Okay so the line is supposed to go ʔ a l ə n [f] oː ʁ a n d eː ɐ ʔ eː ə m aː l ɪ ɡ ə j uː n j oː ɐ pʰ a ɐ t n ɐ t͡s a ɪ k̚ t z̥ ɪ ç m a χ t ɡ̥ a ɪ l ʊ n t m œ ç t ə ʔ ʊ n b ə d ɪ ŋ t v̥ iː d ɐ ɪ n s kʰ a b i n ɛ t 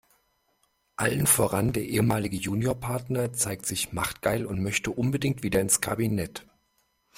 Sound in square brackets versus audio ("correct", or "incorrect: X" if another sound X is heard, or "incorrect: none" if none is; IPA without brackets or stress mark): correct